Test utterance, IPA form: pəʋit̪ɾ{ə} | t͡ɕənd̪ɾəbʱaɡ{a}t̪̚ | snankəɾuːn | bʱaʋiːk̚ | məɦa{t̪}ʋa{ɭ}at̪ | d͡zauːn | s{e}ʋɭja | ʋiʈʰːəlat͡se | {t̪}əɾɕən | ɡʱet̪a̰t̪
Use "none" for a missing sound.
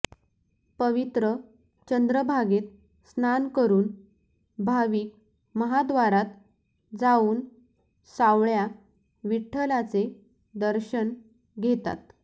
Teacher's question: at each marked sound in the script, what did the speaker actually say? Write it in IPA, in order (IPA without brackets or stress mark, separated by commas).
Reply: ə, e, d̪, ɾ, a, d̪